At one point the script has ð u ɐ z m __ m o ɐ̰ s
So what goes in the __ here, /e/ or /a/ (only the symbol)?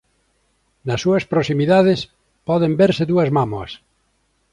a